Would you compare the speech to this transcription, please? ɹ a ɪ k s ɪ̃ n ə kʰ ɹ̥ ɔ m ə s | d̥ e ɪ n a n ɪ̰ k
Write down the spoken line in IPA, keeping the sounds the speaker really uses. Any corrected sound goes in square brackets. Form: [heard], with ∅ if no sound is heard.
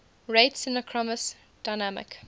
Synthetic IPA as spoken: ɹ [e] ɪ [t] s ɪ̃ n ə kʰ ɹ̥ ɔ m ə s | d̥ [a] ɪ n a [m] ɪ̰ k